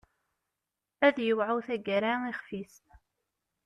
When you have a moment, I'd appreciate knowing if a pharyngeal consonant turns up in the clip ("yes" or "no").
yes